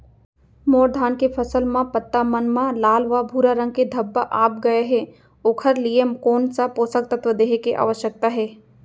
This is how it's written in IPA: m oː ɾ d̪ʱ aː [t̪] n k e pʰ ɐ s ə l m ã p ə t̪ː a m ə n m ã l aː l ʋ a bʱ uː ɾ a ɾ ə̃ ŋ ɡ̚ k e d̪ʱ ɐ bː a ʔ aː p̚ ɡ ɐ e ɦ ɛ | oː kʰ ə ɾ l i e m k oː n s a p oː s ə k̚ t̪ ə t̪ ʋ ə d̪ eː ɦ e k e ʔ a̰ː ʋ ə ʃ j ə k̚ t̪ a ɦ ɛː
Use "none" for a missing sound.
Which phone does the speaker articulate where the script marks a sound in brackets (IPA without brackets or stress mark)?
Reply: none